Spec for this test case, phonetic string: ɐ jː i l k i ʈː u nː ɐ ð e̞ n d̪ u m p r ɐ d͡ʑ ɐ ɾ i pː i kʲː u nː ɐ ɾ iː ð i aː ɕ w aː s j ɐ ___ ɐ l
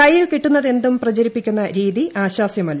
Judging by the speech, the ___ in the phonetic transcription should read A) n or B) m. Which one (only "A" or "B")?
B